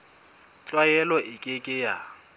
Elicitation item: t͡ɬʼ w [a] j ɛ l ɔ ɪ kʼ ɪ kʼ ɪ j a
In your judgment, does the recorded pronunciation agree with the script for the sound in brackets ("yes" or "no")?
yes